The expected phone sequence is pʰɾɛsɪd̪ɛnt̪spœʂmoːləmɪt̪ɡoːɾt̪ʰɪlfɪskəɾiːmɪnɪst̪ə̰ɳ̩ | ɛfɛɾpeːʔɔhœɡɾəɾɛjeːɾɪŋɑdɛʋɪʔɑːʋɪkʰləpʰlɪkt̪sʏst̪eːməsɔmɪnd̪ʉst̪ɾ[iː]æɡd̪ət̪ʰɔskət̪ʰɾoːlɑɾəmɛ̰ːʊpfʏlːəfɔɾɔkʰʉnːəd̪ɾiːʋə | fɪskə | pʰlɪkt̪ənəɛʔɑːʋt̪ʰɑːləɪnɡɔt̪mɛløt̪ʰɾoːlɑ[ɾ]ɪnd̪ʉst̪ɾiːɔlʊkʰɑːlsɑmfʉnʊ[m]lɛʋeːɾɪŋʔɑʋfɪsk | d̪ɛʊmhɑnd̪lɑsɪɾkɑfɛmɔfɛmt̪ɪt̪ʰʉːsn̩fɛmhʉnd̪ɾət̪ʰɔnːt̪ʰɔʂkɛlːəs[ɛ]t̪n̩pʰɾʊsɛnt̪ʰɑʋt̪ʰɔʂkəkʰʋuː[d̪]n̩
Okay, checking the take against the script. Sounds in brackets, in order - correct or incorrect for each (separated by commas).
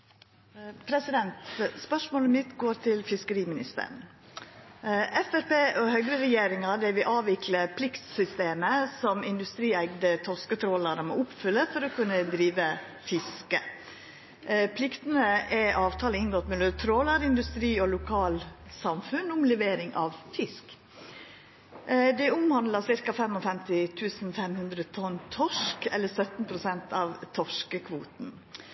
correct, correct, correct, incorrect, incorrect